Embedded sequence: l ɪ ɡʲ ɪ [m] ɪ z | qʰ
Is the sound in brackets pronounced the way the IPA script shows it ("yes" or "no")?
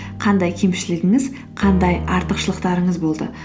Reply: no